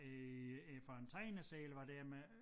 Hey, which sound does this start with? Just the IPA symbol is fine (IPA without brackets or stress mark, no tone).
f